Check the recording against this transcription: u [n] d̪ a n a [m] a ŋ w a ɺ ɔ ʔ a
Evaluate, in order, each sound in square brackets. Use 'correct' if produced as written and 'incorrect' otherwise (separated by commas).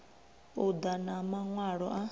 incorrect, correct